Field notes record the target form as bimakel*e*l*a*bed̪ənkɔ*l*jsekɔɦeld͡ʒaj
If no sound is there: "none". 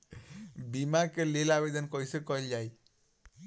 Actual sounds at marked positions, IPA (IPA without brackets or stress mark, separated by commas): e, a, none